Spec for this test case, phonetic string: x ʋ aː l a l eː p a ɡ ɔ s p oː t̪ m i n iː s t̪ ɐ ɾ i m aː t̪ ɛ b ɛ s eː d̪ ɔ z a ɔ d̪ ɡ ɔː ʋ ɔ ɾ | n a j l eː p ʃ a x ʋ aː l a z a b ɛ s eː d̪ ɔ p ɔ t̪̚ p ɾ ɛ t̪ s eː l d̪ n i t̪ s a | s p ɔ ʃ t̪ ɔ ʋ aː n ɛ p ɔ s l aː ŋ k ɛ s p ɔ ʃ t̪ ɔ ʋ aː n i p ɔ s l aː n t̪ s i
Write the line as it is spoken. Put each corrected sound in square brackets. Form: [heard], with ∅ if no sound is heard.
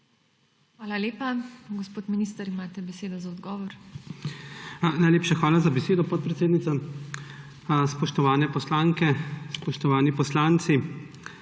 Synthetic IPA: x ʋ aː l a l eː p a ɡ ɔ s p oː t̪ m i n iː s t̪ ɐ ɾ i m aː t̪ ɛ b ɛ s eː d̪ ɔ z a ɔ d̪ ɡ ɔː ʋ ɔ ɾ | n a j l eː p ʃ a x ʋ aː l a z a b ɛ s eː d̪ ɔ p ɔ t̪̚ p ɾ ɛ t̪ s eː [∅] d̪ n i t̪ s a | s p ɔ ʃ t̪ ɔ ʋ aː n ɛ p ɔ s l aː ŋ k ɛ s p ɔ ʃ t̪ ɔ ʋ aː n i p ɔ s l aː n t̪ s i